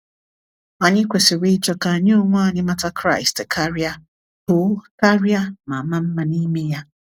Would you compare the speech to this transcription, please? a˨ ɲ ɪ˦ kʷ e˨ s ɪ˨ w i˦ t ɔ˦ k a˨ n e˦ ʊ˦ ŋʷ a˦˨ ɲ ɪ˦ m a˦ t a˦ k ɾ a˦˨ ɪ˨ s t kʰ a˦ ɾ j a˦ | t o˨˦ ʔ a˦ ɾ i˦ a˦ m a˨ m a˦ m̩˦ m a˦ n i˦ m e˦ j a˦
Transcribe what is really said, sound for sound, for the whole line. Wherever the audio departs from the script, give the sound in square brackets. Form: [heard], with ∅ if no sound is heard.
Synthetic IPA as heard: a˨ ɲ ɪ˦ kʷ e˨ s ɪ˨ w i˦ [t͡ʃ] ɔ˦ k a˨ [ɲ] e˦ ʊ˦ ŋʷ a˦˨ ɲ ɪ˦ m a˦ t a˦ k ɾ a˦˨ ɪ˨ s t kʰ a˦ ɾ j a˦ | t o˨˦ [k] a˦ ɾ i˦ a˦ m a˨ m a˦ m̩˦ m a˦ n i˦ m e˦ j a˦

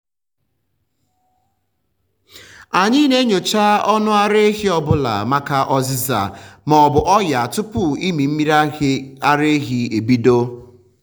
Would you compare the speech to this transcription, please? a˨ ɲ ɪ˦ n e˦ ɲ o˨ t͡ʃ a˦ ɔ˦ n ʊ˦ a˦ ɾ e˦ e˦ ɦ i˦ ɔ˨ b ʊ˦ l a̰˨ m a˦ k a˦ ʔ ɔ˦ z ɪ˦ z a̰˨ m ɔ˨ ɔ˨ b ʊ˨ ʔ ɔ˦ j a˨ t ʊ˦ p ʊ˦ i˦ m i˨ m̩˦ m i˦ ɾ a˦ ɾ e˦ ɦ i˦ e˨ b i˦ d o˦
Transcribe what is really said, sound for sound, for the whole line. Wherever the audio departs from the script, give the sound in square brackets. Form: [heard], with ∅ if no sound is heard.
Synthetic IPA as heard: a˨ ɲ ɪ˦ n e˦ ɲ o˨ t͡ʃ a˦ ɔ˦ n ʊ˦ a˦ ɾ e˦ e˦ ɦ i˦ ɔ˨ b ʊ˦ l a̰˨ m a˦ k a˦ ʔ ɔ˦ z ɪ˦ z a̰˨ m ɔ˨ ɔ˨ b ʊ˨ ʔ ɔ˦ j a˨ t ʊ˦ p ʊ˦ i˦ m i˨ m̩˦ m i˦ ɾ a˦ ɾ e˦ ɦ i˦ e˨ b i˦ d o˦

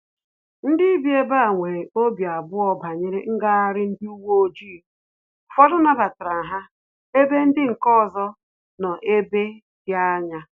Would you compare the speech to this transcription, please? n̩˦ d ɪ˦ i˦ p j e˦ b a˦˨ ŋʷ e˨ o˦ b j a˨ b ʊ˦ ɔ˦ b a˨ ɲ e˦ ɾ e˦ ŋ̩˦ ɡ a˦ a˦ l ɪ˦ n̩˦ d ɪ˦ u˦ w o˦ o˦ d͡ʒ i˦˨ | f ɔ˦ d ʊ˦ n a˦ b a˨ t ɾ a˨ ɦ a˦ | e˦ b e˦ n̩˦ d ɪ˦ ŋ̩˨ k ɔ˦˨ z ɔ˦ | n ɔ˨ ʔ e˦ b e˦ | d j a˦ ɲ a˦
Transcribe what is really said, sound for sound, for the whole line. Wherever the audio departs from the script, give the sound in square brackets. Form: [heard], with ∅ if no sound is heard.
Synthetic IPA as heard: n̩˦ d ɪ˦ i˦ [b] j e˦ b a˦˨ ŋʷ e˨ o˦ b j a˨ b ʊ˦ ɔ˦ b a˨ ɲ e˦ ɾ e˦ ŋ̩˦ ɡ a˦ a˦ [ɾ] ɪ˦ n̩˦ d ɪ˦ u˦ w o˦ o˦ d͡ʒ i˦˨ | f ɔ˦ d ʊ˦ n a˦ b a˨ t ɾ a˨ ɦ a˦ | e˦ b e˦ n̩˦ d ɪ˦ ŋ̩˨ k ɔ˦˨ z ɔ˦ | n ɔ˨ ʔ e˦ b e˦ | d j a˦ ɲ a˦

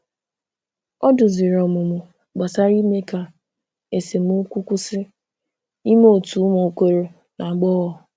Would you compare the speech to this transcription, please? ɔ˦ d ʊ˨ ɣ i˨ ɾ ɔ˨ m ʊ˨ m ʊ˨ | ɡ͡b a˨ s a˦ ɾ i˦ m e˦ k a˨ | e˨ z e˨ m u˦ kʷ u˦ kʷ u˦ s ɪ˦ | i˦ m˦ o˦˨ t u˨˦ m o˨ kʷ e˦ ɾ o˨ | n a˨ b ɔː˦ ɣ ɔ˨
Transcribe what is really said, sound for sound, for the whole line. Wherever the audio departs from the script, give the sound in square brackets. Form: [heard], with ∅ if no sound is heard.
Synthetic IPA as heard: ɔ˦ d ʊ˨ [z] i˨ ɾ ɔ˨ m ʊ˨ m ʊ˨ | ɡ͡b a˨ s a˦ ɾ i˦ m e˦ k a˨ | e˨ [s] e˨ m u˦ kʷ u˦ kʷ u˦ s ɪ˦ | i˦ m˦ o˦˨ t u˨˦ m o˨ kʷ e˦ ɾ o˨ | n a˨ [ɡ͡b] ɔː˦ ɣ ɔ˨

